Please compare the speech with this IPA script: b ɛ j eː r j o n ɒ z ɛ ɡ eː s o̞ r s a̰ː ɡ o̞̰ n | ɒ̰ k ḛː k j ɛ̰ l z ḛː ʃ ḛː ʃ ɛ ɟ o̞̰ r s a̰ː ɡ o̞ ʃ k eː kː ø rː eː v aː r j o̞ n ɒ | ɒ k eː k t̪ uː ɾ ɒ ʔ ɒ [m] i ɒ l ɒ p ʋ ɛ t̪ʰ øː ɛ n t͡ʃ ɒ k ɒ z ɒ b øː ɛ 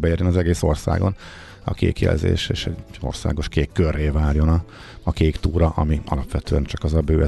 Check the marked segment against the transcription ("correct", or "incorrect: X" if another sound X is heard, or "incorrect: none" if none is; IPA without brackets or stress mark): correct